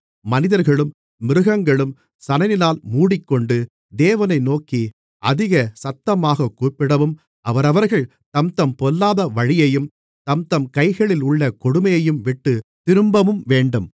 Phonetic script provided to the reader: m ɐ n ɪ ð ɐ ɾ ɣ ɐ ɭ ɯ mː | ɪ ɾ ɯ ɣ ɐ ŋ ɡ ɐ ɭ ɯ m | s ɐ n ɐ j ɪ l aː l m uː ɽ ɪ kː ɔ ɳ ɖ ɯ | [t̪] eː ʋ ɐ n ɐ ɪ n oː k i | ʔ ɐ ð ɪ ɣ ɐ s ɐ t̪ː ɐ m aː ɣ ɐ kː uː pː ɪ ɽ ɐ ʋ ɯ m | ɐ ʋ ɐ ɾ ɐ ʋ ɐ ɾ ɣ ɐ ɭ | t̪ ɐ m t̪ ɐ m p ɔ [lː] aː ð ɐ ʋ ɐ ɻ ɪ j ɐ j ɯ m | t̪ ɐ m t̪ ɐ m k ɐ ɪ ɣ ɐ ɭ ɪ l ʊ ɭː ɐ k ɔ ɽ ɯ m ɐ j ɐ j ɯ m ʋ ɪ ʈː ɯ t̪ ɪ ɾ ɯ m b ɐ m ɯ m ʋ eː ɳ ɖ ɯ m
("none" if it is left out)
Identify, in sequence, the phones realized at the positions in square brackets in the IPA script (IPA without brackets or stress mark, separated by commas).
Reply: d̪, lː